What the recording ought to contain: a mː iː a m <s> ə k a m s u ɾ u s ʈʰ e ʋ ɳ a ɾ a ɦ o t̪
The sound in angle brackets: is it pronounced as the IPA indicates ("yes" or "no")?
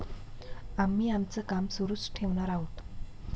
no